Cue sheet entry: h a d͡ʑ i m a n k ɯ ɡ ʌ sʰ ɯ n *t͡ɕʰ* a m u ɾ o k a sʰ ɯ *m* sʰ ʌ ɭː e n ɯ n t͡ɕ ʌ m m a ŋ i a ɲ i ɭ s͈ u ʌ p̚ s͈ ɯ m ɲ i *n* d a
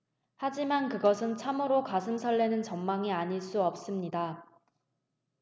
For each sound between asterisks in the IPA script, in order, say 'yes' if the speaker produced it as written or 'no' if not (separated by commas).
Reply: yes, yes, no